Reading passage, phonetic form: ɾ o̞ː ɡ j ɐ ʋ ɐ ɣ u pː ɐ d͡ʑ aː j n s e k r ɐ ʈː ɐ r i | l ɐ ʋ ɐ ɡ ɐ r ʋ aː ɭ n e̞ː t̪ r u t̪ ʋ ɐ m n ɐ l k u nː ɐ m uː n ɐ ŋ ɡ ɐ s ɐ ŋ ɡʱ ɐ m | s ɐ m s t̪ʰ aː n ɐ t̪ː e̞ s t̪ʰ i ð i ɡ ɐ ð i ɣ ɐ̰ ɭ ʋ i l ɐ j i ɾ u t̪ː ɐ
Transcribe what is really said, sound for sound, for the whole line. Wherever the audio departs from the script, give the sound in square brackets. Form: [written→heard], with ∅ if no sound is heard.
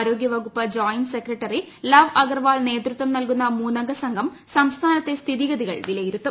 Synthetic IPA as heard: ɾ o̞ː ɡ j ɐ ʋ ɐ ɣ u pː ɐ d͡ʑ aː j n s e k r ɐ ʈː ɐ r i | l ɐ ʋ ɐ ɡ ɐ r ʋ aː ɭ n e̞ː t̪ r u t̪ ʋ ɐ m n ɐ l k u nː ɐ m uː n ɐ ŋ ɡ ɐ s ɐ ŋ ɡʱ ɐ m | s ɐ m s t̪ʰ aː n ɐ t̪ː e̞ s t̪ʰ i ð i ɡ ɐ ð i ɣ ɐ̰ ɭ ʋ i l ɐ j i ɾ u t̪ː ɐ